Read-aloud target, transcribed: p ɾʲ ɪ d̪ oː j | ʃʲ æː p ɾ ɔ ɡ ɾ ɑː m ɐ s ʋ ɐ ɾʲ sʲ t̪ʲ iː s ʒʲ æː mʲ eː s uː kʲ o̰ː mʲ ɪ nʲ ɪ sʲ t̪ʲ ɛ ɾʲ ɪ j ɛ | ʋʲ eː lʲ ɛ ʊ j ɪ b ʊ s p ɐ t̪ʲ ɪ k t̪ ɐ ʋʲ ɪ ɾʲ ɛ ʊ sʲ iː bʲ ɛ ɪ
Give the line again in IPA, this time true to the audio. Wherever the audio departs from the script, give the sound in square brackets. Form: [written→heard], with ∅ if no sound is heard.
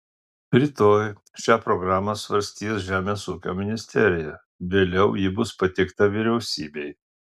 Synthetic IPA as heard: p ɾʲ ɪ [d̪→t̪] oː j | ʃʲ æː p ɾ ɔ ɡ ɾ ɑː m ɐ s ʋ ɐ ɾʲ sʲ t̪ʲ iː s ʒʲ æː mʲ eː s uː kʲ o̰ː mʲ ɪ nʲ ɪ sʲ t̪ʲ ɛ ɾʲ ɪ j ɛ | ʋʲ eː lʲ ɛ ʊ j ɪ b ʊ s p ɐ t̪ʲ ɪ k t̪ ɐ ʋʲ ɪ ɾʲ ɛ ʊ sʲ iː bʲ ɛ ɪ